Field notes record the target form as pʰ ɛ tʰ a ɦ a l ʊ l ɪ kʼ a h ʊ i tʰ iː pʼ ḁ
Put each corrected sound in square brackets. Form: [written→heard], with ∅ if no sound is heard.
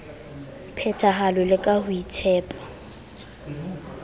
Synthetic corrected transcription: pʰ ɛ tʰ a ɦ a l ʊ l ɪ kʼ a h ʊ i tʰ [iː→ɛː] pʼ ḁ

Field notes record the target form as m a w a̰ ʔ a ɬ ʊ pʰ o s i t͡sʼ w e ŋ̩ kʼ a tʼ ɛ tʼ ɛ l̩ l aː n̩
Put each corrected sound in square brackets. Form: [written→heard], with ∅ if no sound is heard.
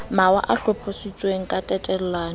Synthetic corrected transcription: m a w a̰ ʔ a ɬ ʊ pʰ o s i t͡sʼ w e ŋ̩ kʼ a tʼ ɛ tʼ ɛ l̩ l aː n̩

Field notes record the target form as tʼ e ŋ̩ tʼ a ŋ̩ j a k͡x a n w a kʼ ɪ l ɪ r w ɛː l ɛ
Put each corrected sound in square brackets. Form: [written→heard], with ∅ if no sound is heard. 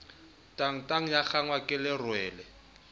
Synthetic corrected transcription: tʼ [e→a] ŋ̩ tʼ a ŋ̩ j a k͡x a [n→ŋ] w a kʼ ɪ l ɪ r w ɛː l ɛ

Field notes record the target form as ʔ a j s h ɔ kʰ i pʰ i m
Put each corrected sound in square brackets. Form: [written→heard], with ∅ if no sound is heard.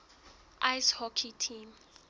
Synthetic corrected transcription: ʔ a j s h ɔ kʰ i [pʰ→tʰ] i m

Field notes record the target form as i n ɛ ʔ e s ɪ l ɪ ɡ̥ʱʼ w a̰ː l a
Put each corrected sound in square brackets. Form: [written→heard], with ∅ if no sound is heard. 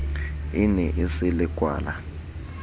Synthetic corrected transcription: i n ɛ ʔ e s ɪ l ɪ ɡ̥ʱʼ w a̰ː l a

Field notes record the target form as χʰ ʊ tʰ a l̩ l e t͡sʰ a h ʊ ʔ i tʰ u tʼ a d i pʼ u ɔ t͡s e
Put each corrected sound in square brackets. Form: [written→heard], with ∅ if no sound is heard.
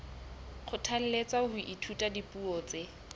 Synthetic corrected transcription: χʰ ʊ tʰ a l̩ l e [t͡sʰ→t͡s] a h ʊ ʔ i tʰ u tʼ a d i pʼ u ɔ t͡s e

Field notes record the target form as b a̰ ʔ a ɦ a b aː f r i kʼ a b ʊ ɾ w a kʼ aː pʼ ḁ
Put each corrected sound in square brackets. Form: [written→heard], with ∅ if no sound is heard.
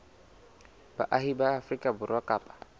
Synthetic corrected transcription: b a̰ ʔ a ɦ [a→i] b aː f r i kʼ a b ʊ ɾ w a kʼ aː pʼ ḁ

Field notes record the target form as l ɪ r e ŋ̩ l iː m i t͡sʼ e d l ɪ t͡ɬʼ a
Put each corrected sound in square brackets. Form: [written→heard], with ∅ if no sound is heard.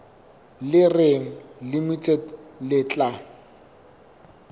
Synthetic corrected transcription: l ɪ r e ŋ̩ l [iː→i] m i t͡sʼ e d l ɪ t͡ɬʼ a

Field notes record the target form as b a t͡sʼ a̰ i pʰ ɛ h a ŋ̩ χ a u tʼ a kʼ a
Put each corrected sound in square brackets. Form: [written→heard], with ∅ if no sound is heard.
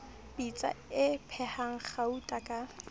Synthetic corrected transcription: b [a→i] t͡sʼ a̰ [i→ɪ] pʰ ɛ h a ŋ̩ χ a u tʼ a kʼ a

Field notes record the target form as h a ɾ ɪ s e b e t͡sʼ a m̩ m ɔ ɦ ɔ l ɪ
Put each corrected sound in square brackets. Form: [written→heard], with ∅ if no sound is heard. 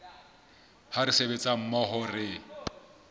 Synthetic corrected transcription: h a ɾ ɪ s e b e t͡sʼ a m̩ m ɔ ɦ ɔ [l→r] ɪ

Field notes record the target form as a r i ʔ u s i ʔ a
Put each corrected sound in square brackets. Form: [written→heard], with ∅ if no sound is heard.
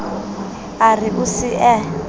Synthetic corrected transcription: a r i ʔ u s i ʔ [a→ɛ]

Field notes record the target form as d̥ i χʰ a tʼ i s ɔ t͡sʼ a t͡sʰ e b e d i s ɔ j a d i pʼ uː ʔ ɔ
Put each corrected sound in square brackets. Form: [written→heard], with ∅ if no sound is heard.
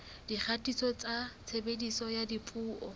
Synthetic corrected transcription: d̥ i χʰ a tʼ i s ɔ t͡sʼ a t͡sʰ e b e d i s ɔ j a d i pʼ uː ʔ ɔ

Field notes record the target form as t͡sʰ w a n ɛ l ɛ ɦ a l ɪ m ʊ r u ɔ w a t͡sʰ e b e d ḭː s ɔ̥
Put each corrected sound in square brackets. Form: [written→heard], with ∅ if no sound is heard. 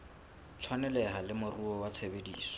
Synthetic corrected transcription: t͡sʰ w a n ɛ l ɛ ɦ a l ɪ m ʊ r u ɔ w a t͡sʰ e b e d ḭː s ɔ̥

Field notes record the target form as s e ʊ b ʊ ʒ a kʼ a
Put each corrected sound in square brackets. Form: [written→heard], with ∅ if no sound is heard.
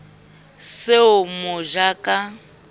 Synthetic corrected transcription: s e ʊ [b→m] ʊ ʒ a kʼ a

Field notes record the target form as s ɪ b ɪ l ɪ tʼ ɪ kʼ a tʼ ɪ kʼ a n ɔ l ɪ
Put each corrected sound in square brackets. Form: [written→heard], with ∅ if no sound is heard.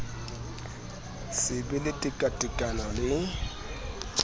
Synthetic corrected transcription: s ɪ b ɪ l ɪ tʼ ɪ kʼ a tʼ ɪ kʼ a n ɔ l ɪ

